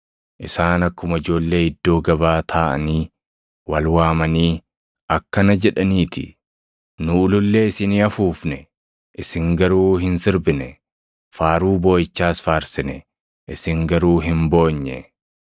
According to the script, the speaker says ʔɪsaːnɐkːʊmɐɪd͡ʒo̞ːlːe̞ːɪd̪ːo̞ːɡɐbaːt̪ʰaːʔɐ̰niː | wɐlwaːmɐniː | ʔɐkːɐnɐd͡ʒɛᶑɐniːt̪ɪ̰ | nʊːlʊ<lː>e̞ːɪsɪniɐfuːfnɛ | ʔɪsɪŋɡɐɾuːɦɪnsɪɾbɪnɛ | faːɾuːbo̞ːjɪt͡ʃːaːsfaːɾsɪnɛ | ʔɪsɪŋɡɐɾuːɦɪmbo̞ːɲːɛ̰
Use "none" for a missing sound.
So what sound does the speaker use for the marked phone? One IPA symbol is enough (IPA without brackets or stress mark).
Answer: lː